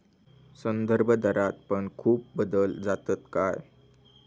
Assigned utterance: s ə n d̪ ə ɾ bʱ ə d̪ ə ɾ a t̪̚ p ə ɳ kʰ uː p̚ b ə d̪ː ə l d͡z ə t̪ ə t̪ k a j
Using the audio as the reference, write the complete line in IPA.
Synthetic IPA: s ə n d̪ ə ɾ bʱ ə d̪ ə ɾ a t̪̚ p ə ɳ kʰ uː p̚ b ə d̪ ə l d͡z a t̪ ə t̪ k a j